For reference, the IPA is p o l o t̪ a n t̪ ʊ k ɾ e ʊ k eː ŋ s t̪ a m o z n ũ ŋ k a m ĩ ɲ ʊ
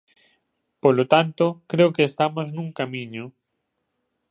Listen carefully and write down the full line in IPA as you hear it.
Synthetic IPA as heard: p o l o t̪ a n t̪ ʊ k ɾ e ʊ k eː s t̪ a m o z n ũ ŋ k a m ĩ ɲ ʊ